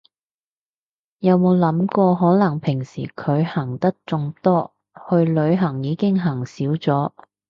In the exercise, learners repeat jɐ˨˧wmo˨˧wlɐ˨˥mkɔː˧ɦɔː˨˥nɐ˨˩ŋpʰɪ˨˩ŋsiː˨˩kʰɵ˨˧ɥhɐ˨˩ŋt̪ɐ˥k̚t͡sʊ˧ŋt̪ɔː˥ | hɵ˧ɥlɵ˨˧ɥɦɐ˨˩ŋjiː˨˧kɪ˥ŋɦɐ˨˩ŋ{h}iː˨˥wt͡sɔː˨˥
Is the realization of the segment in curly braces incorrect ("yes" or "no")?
yes